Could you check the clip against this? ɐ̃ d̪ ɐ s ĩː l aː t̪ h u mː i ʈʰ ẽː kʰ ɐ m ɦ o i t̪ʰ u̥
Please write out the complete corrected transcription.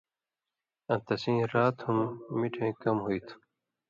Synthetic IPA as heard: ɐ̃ t̪ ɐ s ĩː ɾ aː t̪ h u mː i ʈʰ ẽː k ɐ m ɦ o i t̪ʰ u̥